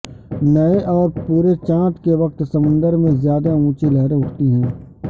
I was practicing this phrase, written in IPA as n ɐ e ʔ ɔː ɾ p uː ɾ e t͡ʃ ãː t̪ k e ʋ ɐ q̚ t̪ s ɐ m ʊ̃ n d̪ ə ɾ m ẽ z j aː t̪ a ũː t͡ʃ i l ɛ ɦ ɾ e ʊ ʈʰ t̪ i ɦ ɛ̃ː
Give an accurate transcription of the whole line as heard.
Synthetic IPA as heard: n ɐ e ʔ ɔː ɾ p uː ɾ e t͡ʃ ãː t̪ k e ʋ ɐ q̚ t̪ s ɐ m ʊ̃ n d̪ ə ɾ m ẽ z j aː d̪ a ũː t͡ʃ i l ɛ ɦ ɾ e ʊ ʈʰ t̪ i ɦ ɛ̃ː